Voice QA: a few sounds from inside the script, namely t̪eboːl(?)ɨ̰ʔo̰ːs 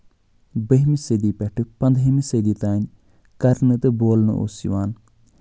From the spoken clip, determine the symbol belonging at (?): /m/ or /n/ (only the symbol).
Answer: n